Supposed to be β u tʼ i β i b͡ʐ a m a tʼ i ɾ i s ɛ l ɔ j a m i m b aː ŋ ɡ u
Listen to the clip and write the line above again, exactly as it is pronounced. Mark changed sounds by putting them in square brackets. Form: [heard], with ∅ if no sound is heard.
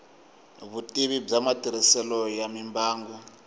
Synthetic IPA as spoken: β u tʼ i β i b͡ʐ a m a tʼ i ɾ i s ɛ l ɔ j a m i m b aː ŋ ɡ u

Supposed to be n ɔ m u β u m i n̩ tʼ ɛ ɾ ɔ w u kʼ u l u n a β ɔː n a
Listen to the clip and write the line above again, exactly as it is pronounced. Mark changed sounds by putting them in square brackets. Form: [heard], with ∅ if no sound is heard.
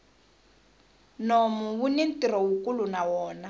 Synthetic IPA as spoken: n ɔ m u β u [n] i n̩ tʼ [i] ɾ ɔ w u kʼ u l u n a [w] ɔː n a

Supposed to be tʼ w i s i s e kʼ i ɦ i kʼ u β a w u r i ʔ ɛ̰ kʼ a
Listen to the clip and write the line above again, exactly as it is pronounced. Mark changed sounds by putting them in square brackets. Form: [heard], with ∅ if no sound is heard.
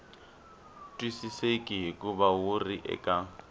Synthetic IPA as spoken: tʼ w i s i s e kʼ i ɦ i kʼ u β a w u r i ʔ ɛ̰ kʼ a

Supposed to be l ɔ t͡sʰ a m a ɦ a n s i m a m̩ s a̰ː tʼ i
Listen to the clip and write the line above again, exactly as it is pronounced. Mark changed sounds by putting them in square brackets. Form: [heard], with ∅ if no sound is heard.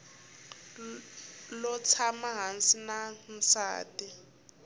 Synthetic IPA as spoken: l ɔ t͡sʰ a m a ɦ a n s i [n] a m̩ s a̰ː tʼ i

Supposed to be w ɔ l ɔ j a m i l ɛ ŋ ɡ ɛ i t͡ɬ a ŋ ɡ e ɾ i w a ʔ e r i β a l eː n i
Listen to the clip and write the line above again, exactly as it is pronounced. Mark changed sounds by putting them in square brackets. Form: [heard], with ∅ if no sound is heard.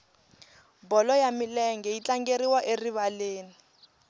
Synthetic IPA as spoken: [b] ɔ l ɔ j a m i l ɛ ŋ ɡ ɛ i t͡ɬ a ŋ ɡ e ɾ i w a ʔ e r i β a l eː n i

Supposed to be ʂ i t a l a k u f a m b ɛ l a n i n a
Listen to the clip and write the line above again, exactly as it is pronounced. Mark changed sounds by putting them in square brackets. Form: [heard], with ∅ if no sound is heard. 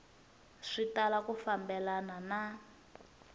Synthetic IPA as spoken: ʂ i t a l a k u f a m b ɛ l a n [a] n a

